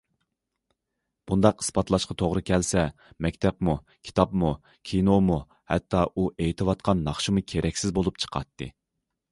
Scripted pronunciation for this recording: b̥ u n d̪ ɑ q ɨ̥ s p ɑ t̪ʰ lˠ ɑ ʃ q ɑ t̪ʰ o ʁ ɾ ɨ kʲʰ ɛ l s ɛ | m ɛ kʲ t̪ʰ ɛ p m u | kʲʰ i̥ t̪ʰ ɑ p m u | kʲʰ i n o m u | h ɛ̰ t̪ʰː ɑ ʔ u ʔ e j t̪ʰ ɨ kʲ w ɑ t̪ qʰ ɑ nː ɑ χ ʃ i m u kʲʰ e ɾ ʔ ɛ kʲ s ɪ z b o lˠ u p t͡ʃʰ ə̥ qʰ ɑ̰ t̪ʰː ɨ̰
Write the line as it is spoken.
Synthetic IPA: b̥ u n d̪ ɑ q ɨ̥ s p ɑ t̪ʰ lˠ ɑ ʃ q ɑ t̪ʰ o ʁ ɾ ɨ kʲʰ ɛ l s ɛ | m ɛ kʲ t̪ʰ ɛ p m u | kʲʰ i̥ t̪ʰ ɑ p m u | kʲʰ i n o m u | h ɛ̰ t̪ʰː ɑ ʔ u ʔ e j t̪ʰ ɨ w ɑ t̪ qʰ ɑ nː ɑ χ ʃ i m u kʲʰ e ɾ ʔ ɛ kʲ s ɪ z b o lˠ u p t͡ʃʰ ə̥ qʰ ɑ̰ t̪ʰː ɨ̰